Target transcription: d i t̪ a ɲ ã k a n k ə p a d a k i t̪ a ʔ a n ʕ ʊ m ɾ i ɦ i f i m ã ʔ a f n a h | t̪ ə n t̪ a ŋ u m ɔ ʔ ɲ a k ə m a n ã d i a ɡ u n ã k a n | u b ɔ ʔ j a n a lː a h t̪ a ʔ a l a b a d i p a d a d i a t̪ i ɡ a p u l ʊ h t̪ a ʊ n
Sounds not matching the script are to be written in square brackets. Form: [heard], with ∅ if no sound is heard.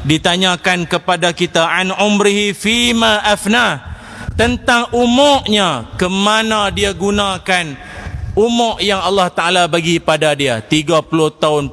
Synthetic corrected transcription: d i t̪ a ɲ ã k a n k ə p a d a k i t̪ a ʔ a n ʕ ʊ m ɾ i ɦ i f i m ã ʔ a f n a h | t̪ ə n t̪ a ŋ u m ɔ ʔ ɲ a k ə m a n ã d i a ɡ u n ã k a n | u [m] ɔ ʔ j a [ŋ] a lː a h t̪ a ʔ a l a b a [ɡ] i p a d a d i a t̪ i ɡ a p u l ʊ h t̪ a ʊ n